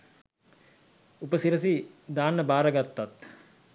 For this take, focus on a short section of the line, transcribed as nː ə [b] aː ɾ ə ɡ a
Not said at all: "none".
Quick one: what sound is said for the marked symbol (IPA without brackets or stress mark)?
b